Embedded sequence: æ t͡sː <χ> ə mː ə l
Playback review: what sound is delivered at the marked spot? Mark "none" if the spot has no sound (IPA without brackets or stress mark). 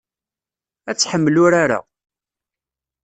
ħ